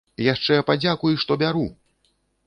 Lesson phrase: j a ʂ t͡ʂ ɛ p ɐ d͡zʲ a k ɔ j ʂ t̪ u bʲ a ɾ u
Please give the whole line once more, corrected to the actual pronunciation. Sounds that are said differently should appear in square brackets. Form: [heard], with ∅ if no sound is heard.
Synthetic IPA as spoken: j a ʂ t͡ʂ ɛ p [a] d͡zʲ a k [u] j ʂ t̪ [ɔ] bʲ a ɾ u